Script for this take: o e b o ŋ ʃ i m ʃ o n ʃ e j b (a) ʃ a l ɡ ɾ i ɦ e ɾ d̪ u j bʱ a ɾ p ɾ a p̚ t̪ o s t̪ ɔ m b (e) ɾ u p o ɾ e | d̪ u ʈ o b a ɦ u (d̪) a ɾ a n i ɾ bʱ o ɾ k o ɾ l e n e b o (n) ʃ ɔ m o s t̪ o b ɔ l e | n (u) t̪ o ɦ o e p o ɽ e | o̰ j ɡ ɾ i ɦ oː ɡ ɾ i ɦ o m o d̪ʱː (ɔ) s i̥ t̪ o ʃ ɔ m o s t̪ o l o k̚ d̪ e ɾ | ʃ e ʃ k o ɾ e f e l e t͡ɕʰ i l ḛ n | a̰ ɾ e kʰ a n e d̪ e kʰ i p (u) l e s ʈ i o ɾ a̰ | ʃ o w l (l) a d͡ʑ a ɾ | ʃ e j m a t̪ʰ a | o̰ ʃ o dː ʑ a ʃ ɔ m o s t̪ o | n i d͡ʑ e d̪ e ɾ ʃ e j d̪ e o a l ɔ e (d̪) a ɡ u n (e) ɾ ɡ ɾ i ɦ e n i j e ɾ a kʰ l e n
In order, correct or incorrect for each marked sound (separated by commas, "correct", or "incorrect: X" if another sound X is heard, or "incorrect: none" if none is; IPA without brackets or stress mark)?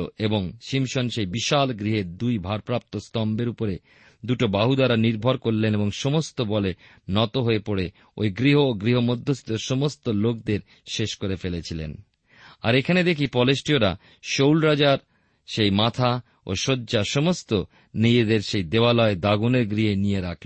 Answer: incorrect: i, correct, correct, incorrect: ŋ, incorrect: ɔ, incorrect: o, incorrect: ɔ, incorrect: ɾ, correct, correct